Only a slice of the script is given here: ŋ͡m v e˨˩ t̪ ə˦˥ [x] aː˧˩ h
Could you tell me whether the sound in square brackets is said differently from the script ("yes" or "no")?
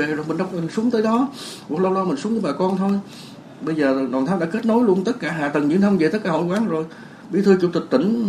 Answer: yes